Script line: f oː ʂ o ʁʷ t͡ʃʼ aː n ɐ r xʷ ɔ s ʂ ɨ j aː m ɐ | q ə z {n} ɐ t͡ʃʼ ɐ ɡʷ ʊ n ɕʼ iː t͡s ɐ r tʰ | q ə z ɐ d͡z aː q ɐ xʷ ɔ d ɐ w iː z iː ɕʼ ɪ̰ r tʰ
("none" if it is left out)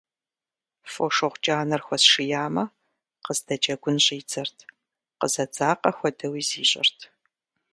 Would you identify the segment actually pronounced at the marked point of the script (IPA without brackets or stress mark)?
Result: d